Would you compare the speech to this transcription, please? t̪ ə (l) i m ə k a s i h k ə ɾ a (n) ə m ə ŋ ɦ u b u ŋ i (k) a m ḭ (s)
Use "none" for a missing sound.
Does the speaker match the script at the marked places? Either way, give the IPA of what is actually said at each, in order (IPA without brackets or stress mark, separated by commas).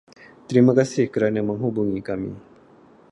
ɾ, n, k, none